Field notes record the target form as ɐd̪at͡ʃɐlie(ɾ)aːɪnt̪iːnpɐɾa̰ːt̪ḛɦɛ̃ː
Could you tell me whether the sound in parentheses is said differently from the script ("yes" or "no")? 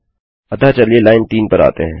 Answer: yes